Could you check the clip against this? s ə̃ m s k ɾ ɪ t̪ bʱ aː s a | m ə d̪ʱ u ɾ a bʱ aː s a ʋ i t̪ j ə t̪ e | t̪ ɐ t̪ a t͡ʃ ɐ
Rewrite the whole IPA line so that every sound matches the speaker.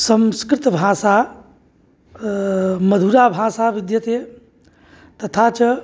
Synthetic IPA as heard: s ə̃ m s k ɾ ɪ t̪ bʱ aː s a | m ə d̪ʱ u ɾ a bʱ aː s a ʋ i d̪ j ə t̪ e | t̪ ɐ t̪ʰ a t͡ʃ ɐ